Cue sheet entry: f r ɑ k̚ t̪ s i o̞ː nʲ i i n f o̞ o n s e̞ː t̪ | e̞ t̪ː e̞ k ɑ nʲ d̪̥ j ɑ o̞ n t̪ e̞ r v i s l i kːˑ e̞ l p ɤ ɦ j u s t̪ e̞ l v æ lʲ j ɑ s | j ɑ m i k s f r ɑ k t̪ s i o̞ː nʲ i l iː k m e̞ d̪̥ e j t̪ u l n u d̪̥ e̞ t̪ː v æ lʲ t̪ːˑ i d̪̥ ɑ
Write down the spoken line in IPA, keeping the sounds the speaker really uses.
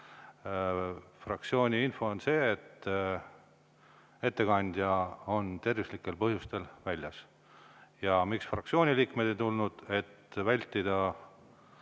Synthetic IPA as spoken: f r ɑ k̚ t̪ s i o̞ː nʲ i i n f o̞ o n s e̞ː t̪ | e̞ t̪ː e̞ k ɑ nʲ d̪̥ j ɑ o̞ n t̪ e̞ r v i s l i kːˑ e̞ l p ɤ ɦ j u s t̪ e̞ l v æ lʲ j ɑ s | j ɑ m i k s f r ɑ k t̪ s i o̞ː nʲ i l iː k m e̞ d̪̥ e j t̪ u l n u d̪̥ e̞ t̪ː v æ lʲ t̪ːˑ i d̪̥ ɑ